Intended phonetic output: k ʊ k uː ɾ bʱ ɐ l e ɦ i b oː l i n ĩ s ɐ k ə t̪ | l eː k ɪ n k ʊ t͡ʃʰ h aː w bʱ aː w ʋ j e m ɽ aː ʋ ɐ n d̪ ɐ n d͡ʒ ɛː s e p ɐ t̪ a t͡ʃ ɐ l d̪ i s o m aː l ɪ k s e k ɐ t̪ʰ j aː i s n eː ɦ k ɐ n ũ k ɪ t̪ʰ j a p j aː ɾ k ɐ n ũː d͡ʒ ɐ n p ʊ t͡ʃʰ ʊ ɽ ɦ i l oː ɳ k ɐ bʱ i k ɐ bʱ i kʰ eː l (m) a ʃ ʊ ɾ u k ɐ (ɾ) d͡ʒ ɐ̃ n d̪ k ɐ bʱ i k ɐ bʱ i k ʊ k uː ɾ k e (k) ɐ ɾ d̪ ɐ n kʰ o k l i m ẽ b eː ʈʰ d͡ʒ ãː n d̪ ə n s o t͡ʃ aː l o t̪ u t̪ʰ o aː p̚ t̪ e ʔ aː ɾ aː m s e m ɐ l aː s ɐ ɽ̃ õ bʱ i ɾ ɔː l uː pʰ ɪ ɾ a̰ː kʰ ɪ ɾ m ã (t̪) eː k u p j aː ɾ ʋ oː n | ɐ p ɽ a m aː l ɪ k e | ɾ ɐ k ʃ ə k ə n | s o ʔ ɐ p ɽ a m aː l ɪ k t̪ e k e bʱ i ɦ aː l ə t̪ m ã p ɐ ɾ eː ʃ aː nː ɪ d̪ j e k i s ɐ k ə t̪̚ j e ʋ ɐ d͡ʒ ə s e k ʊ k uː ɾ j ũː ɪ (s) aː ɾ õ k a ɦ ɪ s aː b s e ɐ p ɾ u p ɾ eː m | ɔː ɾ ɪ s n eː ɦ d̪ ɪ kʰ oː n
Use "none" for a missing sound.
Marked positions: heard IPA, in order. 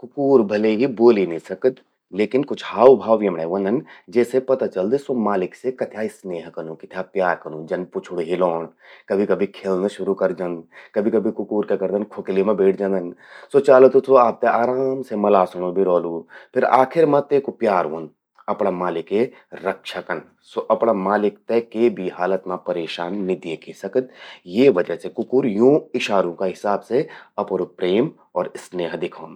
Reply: n, ɾ, k, t̪, ʃ

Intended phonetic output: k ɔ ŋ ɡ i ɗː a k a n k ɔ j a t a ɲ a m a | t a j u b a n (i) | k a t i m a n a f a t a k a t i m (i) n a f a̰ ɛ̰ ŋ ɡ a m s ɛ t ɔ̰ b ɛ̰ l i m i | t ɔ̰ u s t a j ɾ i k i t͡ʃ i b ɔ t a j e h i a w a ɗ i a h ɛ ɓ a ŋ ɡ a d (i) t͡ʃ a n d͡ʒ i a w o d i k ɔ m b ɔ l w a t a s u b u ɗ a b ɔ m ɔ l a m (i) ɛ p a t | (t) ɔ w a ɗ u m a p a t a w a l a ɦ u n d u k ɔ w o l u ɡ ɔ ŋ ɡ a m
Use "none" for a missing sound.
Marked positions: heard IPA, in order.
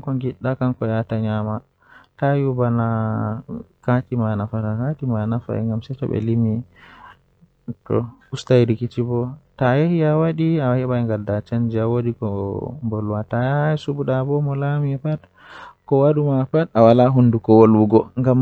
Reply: a, a, a, i, k

